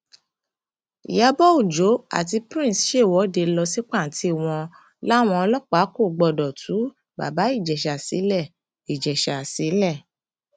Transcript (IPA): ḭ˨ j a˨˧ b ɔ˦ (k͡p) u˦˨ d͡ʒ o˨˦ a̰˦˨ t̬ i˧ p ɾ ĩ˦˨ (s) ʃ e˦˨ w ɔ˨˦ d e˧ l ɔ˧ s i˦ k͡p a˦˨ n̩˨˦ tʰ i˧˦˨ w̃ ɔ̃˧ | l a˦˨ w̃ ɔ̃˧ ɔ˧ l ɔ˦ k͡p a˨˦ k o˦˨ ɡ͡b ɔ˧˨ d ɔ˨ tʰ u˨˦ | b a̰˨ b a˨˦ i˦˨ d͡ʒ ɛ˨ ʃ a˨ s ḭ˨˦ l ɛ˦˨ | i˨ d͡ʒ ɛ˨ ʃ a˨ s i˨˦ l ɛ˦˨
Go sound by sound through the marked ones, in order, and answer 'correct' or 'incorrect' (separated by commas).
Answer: incorrect, correct